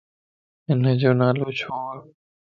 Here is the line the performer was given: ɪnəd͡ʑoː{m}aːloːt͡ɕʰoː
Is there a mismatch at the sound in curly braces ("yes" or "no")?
yes